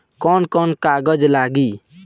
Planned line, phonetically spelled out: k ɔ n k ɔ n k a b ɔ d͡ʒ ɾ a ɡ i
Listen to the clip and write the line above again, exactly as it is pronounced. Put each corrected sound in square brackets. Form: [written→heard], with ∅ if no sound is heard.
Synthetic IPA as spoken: k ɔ n k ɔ n k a [b→ɡ] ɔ d͡ʒ [ɾ→l] a ɡ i